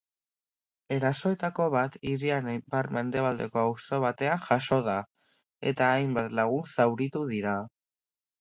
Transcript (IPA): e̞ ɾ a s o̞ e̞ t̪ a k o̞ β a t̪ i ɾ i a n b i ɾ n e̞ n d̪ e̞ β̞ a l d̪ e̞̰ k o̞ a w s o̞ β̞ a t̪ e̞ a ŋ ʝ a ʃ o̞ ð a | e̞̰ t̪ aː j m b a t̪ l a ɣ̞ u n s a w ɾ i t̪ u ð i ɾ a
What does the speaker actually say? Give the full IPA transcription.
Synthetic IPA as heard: e̞ ɾ a s o̞ e̞ t̪ a k o̞ β a t̪ i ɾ i a n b a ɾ m e̞ n d̪ e̞ β̞ a l d̪ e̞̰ k o̞ a w s o̞ β̞ a t̪ e̞ a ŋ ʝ a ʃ o̞ ð a | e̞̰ t̪ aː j m b a t̪ l a ɣ̞ u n s a w ɾ i t̪ u ð i ɾ a